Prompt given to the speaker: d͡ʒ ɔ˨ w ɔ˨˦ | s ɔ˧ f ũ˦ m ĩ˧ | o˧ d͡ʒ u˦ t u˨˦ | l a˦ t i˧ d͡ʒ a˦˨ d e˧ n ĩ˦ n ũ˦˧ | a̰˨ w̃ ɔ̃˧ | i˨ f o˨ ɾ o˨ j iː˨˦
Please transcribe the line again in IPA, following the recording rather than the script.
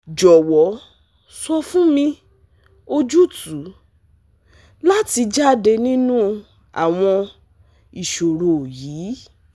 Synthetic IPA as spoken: d͡ʒ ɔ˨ w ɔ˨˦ | s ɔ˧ f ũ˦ m ĩ˧ | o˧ d͡ʒ u˦ t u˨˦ | l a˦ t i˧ d͡ʒ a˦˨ d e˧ n ĩ˦ n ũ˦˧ | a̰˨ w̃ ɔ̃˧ | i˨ ʃ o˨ ɾ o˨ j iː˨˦

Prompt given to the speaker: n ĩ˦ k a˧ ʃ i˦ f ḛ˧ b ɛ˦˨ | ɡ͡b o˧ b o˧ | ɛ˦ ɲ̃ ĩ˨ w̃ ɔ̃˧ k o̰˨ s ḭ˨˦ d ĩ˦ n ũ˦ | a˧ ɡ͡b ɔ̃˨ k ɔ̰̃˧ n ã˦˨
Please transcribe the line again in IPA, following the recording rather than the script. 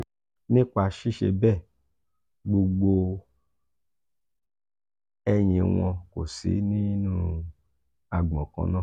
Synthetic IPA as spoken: n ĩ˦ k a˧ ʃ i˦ ʃ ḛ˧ b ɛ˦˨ | ɡ͡b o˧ ɡ͡b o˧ | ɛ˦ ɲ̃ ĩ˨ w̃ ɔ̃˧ k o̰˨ s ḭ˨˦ n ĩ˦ n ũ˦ | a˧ ɡ͡b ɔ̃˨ k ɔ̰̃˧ n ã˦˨

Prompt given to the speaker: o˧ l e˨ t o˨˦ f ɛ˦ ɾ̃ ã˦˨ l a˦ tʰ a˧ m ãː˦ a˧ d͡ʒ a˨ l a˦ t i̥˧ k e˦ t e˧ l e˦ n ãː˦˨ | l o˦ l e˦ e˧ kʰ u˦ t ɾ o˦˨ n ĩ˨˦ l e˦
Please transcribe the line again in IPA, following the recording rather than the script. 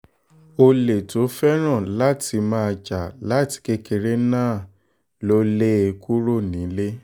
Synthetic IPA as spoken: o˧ l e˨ t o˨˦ f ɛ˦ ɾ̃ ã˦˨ l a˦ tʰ i˧ m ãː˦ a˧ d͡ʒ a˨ l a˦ t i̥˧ k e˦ k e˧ ɾ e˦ n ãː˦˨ | l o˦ l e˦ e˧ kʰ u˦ ɾ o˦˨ n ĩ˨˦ l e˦

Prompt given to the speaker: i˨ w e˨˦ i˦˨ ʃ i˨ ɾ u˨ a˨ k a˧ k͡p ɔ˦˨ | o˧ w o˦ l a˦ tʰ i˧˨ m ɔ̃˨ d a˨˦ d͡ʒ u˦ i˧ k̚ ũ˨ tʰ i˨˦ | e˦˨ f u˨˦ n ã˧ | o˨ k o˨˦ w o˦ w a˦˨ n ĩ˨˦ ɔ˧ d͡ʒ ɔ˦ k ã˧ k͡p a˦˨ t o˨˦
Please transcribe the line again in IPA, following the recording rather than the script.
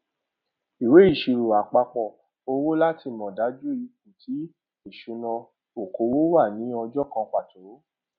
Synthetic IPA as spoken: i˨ w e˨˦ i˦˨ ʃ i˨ ɾ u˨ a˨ k͡p a˧ k͡p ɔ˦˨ | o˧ w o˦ l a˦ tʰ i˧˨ m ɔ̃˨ d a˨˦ d͡ʒ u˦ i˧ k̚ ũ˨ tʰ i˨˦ | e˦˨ ʃ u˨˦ n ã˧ | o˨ k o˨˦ w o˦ w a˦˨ n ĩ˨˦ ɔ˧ d͡ʒ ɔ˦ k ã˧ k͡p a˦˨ t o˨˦

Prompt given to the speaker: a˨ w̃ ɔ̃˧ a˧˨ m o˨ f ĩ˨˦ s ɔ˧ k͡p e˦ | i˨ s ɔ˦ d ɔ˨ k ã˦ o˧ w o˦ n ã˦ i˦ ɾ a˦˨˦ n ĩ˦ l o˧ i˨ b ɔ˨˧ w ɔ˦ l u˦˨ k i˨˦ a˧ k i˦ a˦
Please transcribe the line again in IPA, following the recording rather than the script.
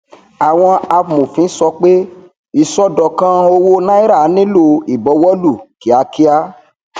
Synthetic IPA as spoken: a˨ w̃ ɔ̃˧ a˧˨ m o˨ f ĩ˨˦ s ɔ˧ k͡p e˦ | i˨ s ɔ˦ d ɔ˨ k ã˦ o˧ w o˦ n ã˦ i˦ ɾ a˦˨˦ n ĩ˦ l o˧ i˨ b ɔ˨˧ w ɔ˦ l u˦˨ k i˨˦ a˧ k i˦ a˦

